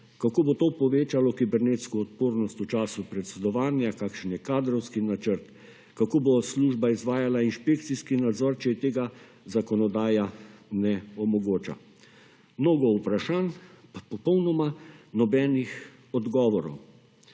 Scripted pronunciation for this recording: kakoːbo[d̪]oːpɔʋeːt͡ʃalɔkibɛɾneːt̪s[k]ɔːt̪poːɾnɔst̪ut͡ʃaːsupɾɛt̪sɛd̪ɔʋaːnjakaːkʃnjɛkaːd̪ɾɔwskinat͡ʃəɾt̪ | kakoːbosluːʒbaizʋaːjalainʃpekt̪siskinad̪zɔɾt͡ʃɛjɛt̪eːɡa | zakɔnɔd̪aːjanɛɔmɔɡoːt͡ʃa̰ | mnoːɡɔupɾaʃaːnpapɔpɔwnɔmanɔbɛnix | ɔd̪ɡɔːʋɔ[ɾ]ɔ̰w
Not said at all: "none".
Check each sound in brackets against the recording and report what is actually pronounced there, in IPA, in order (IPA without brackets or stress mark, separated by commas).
t̪, k, ɾ